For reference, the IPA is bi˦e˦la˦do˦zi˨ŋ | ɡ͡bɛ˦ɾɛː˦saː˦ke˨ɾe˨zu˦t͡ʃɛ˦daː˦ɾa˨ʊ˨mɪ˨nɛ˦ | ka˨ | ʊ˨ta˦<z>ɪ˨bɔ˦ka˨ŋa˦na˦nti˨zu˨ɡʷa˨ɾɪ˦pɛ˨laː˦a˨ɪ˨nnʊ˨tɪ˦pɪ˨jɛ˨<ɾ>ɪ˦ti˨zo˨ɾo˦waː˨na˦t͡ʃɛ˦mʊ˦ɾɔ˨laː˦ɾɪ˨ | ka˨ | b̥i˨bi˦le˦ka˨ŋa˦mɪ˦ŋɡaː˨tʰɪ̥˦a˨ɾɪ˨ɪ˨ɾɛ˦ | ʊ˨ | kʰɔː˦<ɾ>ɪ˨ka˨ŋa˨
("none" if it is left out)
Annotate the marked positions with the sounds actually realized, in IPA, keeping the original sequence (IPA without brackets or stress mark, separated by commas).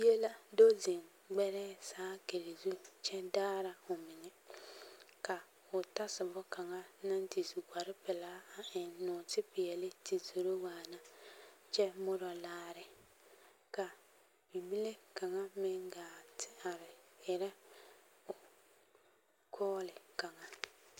s, l, l